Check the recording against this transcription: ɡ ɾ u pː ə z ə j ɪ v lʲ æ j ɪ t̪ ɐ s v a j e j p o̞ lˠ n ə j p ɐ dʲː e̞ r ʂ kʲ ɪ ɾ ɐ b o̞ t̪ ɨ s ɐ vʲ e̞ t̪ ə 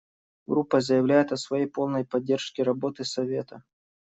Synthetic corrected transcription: ɡ ɾ u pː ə z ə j ɪ v lʲ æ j ɪ t̪ ɐ s v ɐ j e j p o̞ lˠ n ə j p ɐ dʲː e̞ r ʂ kʲ ɪ ɾ ɐ b o̞ t̪ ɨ s ɐ vʲ e̞ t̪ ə